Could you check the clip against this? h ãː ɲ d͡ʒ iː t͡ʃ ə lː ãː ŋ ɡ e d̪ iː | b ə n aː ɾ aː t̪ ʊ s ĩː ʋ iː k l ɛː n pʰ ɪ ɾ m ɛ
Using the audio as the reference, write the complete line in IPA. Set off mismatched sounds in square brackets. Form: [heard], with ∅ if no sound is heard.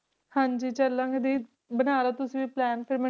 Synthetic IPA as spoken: h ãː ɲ d͡ʒ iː t͡ʃ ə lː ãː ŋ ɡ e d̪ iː | b ə n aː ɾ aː t̪ ʊ s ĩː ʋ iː [p] l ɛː n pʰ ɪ ɾ m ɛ